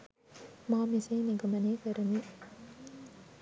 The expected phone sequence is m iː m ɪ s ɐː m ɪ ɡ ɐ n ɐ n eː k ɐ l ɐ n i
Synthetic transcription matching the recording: m aː m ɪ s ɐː n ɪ ɡ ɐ m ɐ n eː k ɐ ɾ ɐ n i